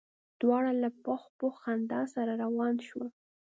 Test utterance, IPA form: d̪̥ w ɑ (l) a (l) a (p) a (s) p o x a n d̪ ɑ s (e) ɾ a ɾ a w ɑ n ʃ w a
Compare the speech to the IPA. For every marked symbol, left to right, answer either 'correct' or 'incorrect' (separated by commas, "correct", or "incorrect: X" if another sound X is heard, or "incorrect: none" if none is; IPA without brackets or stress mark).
incorrect: ɽ, correct, correct, incorrect: x, incorrect: a